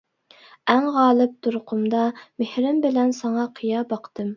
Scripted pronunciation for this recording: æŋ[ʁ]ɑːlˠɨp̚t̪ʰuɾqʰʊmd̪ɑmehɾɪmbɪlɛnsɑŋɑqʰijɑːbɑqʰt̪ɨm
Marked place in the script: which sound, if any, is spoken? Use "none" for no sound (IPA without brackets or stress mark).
ʁ